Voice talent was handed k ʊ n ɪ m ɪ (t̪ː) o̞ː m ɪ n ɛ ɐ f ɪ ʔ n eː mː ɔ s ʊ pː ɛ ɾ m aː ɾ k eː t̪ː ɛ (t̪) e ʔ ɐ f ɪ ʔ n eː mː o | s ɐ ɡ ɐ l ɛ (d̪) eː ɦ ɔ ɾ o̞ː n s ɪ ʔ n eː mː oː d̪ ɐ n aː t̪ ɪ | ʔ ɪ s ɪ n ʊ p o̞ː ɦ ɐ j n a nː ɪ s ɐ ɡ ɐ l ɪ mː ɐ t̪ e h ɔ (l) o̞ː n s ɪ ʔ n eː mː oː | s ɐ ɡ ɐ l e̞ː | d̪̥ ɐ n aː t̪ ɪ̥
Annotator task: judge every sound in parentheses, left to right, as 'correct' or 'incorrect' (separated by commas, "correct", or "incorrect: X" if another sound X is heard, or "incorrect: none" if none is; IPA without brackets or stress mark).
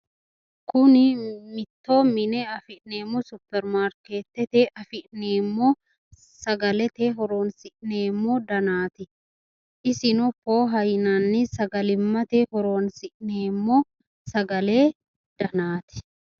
correct, correct, incorrect: t̪, incorrect: ɾ